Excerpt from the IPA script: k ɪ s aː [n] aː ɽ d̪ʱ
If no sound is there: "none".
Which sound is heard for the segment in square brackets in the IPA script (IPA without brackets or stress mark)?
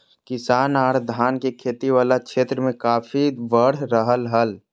n